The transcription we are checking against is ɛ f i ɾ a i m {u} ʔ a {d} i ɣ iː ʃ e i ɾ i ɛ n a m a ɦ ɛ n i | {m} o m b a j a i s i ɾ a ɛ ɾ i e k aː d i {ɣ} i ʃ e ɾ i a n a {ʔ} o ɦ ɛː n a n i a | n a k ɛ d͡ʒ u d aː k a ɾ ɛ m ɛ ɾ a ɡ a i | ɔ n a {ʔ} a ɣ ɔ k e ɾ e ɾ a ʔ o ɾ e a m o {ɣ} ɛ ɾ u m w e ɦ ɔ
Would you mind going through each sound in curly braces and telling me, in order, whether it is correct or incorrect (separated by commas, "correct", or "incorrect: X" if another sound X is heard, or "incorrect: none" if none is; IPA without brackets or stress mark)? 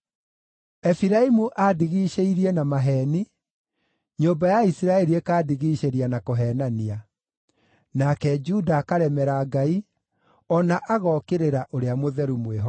correct, correct, incorrect: ɲ, correct, incorrect: k, correct, incorrect: ð